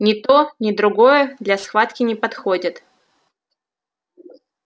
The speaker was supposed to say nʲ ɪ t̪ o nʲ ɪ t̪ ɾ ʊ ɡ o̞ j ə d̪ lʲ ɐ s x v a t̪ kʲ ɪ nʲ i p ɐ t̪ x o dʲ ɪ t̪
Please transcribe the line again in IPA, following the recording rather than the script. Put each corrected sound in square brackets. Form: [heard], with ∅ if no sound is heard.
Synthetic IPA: nʲ ɪ t̪ o nʲ ɪ [d̪] ɾ ʊ ɡ o̞ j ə d̪ lʲ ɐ s x v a t̪ kʲ ɪ nʲ [ɪ] p ɐ t̪ x o dʲ ɪ t̪